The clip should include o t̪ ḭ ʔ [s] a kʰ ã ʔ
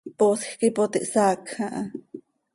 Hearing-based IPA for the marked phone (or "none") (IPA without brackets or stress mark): s